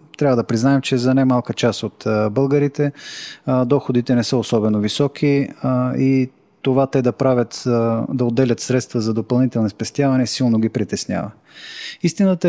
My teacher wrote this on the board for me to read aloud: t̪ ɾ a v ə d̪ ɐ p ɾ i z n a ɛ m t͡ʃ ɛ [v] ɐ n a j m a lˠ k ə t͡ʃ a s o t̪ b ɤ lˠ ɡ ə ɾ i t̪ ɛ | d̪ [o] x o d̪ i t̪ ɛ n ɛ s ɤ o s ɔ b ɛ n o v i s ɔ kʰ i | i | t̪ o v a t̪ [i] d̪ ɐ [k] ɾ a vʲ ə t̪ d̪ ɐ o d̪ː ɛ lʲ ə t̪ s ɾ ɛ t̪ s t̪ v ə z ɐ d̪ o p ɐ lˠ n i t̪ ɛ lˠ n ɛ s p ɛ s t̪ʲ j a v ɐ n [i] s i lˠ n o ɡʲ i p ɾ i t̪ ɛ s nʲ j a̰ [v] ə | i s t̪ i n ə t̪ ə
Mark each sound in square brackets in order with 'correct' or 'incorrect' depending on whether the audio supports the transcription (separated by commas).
incorrect, incorrect, incorrect, incorrect, incorrect, correct